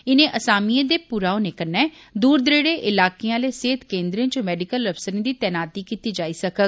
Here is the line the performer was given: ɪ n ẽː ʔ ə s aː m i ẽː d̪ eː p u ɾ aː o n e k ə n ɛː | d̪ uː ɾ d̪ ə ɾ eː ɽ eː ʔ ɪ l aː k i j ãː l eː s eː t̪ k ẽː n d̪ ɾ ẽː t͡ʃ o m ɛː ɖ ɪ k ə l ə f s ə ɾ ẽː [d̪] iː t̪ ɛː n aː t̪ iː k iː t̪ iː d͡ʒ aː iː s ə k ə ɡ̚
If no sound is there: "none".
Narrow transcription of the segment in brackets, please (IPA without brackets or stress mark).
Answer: d̪